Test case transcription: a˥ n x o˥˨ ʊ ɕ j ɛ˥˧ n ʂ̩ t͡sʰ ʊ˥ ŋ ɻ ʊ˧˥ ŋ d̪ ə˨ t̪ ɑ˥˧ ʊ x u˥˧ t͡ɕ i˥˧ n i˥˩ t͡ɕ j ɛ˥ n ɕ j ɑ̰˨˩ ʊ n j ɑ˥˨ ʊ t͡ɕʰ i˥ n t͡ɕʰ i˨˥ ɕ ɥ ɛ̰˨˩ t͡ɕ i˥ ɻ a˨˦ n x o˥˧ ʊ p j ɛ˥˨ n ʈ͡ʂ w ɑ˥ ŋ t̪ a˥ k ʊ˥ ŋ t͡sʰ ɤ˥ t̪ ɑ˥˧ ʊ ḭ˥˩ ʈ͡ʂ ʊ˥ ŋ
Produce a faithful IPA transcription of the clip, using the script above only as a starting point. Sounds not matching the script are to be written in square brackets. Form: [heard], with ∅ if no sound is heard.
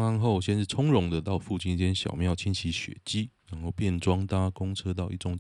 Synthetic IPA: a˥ n x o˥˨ ʊ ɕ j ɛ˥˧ n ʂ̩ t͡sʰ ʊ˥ ŋ ɻ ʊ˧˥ ŋ d̪ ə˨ t̪ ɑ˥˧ ʊ [f] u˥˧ t͡ɕ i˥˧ n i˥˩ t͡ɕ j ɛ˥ n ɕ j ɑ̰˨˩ ʊ [m] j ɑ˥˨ ʊ t͡ɕʰ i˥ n t͡ɕʰ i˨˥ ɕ ɥ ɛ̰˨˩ t͡ɕ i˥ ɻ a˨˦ n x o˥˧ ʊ p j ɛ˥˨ n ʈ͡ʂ w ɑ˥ ŋ t̪ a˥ k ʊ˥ ŋ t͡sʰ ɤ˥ t̪ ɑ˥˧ ʊ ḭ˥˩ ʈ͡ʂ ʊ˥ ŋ